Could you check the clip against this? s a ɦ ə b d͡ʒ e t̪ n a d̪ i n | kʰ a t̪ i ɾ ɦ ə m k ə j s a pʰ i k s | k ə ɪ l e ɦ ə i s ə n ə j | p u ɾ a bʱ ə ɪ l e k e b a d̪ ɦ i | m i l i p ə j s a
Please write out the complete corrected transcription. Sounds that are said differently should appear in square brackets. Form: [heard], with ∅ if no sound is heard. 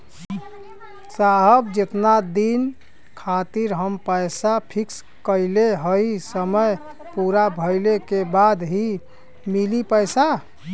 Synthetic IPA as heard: s a ɦ ə b d͡ʒ e t̪ n a d̪ i n | kʰ a t̪ i ɾ ɦ ə m [p] ə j s a pʰ i k s | k ə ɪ l e ɦ ə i s ə [m] ə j | p u ɾ a bʱ ə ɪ l e k e b a d̪ ɦ i | m i l i p ə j s a